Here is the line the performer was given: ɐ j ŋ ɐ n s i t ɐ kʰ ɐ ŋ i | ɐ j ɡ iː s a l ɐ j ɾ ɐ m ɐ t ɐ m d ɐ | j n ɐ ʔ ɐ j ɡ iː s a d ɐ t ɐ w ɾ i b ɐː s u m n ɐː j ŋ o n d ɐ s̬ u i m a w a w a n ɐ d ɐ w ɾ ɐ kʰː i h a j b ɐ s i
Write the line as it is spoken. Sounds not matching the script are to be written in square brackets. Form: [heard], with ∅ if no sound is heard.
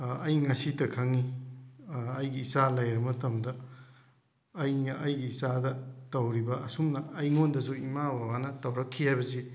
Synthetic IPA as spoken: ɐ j ŋ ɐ [∅] s i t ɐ kʰ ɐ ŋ i | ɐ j ɡ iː s a l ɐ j ɾ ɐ m ɐ t ɐ m d ɐ | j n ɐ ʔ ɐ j ɡ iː s a d ɐ t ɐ w ɾ i b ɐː s u m n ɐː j ŋ o n d ɐ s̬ u i m a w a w a n ɐ [t] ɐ w ɾ ɐ kʰː i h a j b ɐ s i